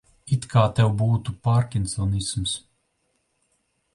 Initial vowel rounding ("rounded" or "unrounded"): unrounded